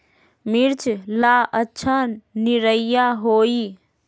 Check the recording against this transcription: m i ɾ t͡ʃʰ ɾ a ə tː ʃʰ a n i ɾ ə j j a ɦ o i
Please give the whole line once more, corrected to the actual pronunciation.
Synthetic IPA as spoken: m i ɾ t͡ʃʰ l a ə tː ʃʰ a n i ɾ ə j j a ɦ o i